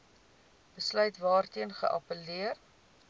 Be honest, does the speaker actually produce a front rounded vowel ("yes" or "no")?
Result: yes